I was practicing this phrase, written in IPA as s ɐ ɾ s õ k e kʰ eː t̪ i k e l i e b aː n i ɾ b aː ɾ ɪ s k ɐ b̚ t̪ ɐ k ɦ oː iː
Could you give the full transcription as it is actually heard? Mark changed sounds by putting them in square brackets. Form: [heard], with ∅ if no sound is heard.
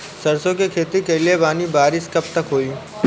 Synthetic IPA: s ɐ ɾ s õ k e kʰ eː t̪ i k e l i e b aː n i [∅] b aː ɾ ɪ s k ɐ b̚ t̪ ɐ k ɦ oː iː